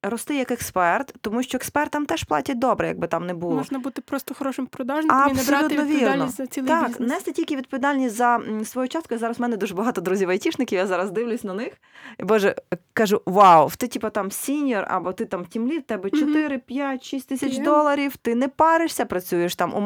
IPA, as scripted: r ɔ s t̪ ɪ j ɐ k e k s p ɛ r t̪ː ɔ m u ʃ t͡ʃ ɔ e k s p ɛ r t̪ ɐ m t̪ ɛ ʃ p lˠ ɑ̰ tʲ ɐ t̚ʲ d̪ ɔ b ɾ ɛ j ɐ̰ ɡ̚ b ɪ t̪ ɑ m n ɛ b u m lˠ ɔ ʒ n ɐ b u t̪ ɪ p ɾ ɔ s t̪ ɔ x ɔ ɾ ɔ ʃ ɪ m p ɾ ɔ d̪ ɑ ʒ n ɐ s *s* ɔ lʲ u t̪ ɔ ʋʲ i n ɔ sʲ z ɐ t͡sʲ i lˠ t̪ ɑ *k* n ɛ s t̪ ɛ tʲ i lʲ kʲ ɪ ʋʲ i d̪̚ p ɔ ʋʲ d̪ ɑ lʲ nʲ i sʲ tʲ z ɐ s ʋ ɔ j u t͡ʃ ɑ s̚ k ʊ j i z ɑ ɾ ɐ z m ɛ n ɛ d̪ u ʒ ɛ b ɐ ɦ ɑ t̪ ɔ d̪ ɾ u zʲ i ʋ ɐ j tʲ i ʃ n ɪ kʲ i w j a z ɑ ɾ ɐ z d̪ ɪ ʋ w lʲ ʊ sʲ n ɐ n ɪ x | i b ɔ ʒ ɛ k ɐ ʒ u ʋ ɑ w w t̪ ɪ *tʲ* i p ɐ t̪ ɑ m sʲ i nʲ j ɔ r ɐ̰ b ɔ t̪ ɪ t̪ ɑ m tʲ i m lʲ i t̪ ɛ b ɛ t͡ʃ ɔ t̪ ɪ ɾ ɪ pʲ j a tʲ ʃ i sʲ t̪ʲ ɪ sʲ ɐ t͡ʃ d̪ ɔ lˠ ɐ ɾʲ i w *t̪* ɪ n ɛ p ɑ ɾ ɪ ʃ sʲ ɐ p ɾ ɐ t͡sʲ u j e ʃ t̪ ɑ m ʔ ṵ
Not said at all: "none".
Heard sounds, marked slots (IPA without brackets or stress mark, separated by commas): s, k, tʲ, t̪